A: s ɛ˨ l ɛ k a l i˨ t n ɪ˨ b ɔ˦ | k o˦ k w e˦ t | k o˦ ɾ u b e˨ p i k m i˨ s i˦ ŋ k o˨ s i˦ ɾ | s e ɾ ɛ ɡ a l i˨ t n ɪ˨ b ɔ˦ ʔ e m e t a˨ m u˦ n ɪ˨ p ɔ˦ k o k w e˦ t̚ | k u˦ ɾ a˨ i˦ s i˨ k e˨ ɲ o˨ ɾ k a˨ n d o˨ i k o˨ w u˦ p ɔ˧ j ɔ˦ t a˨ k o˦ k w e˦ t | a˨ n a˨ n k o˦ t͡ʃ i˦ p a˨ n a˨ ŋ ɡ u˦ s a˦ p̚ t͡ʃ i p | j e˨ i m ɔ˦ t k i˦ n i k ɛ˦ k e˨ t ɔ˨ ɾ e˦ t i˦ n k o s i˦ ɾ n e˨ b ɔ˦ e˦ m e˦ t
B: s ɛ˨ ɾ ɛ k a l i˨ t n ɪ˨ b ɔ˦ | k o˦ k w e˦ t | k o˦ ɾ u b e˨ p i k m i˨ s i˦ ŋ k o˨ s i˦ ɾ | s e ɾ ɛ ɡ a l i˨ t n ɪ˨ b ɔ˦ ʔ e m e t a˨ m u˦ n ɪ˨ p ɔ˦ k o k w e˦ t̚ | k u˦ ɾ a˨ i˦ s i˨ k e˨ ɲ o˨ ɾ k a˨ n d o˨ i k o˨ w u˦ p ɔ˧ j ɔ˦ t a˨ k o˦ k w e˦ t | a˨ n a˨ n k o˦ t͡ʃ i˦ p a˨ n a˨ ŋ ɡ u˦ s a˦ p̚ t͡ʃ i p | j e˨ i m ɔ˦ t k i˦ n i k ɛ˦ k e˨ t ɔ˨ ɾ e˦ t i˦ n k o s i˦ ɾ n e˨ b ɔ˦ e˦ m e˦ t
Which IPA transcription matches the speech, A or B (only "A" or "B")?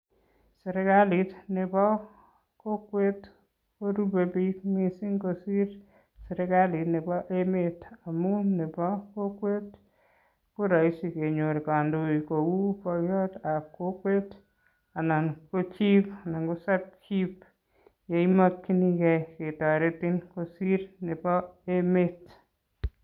B